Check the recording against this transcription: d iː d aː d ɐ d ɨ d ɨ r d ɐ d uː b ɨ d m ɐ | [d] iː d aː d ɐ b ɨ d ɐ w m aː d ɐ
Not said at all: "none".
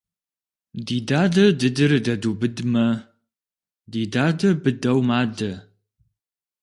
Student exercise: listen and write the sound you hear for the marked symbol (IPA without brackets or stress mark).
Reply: d